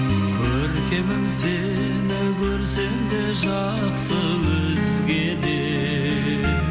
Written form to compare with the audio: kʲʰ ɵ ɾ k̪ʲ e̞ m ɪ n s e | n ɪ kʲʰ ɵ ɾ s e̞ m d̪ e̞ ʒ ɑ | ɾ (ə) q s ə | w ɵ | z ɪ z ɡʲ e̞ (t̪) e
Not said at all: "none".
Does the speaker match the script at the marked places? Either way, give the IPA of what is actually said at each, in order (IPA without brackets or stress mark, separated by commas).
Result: ə, d̪